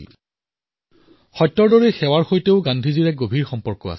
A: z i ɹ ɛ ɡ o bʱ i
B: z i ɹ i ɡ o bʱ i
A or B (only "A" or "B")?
A